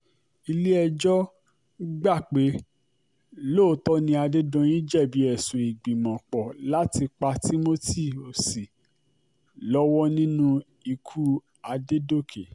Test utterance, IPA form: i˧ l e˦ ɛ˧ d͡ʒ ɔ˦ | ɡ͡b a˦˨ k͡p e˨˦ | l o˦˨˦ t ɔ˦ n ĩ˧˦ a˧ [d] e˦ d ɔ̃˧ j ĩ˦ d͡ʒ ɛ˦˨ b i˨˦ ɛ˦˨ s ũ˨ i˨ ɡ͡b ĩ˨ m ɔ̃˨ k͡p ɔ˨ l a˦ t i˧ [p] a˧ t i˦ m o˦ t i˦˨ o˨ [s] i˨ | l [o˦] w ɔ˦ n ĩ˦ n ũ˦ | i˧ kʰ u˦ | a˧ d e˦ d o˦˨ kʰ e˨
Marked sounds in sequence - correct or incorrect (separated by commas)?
correct, incorrect, correct, incorrect